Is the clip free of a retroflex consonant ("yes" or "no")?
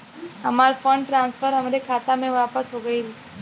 no